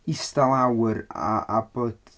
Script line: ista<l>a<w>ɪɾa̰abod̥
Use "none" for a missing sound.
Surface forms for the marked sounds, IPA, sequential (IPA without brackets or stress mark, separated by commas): l, w